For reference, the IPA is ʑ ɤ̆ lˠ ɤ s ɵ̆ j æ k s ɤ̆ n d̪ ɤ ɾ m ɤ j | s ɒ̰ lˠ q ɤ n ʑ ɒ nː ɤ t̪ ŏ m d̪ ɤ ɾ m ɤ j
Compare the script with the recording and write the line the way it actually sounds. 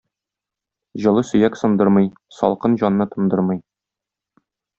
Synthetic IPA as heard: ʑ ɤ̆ lˠ ɤ s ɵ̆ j æ k s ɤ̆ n d̪ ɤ ɾ m ɤ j | s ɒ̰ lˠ q ɤ n ʑ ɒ nː ɤ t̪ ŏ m d̪ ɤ ɾ m ɤ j